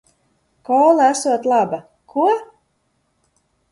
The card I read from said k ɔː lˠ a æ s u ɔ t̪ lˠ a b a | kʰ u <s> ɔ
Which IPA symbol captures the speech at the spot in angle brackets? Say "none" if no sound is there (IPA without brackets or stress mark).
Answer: none